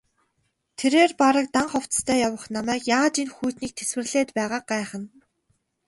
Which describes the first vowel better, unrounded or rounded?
unrounded